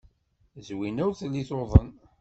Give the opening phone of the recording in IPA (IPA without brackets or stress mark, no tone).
z